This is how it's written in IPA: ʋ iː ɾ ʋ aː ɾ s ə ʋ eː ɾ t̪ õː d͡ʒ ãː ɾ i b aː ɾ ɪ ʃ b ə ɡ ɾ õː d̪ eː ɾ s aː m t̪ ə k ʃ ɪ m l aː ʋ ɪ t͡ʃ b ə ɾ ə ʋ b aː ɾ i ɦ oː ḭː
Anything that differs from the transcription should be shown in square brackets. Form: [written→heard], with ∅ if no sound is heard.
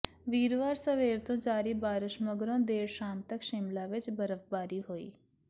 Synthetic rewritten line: ʋ iː ɾ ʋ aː ɾ s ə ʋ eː ɾ t̪ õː d͡ʒ [ãː→aː] ɾ i b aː ɾ ɪ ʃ [b→m] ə ɡ ɾ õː d̪ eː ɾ [s→ʃ] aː m t̪ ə k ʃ ɪ m l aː ʋ ɪ t͡ʃ b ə ɾ ə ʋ b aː ɾ i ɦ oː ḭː